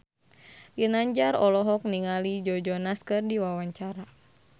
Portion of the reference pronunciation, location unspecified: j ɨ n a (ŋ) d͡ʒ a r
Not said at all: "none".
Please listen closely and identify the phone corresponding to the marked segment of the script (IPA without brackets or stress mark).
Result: ɲ